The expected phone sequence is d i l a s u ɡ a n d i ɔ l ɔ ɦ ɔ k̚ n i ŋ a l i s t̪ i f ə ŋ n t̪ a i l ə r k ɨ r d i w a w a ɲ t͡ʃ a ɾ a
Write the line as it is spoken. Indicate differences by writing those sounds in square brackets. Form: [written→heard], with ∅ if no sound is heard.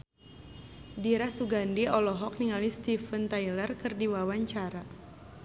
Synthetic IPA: d i [l→ɾ] a s u ɡ a n d i ɔ l ɔ ɦ ɔ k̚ n i ŋ a l i s t̪ i f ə [ŋ→∅] n t̪ a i l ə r k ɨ r d i w a w a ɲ t͡ʃ a ɾ a